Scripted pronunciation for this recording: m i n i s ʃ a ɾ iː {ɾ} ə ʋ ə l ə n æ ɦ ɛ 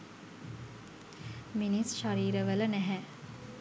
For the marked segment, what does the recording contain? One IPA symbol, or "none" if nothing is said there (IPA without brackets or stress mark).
ɾ